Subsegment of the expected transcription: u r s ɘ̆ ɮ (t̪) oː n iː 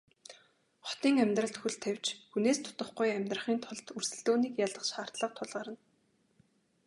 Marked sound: correct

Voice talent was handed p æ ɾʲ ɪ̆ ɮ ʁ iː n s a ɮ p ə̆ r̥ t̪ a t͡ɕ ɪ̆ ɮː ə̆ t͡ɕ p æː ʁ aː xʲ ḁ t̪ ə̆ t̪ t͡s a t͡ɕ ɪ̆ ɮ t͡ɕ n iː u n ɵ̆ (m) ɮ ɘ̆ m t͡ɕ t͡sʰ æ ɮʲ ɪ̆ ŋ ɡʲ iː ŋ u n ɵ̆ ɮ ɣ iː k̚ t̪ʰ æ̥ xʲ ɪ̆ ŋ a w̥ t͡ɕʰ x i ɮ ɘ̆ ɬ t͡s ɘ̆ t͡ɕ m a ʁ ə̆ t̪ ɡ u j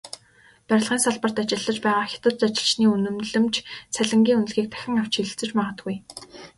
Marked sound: correct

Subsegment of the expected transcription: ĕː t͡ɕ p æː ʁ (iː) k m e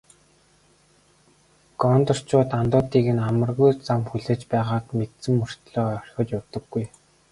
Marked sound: incorrect: aː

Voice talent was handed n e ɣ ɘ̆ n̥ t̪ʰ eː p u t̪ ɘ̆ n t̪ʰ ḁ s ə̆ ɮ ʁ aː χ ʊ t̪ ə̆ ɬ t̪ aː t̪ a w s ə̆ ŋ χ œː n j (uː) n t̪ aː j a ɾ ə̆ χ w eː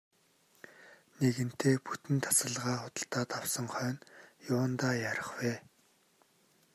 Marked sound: incorrect: ʊː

